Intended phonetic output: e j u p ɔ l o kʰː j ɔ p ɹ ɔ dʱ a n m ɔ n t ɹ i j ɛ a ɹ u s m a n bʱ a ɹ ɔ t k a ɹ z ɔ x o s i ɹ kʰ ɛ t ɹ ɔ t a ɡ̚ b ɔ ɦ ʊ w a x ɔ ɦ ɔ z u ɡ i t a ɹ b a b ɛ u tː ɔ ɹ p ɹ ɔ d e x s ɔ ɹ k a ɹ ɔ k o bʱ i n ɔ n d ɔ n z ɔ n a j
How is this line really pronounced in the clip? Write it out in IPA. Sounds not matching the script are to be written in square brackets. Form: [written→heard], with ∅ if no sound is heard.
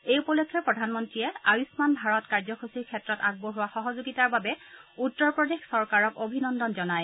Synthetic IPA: e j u p ɔ l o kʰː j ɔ p ɹ ɔ dʱ a n m ɔ n t ɹ i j ɛ a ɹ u s m a n bʱ a ɹ ɔ t k a ɹ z ɔ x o s i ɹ kʰ ɛ t ɹ ɔ t a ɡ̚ b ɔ ɦ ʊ w a x ɔ ɦ ɔ z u ɡ i t a ɹ b a b ɛ u tː ɔ ɹ p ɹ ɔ d e x s ɔ ɹ k a ɹ ɔ k o bʱ i n ɔ n d ɔ n z ɔ n a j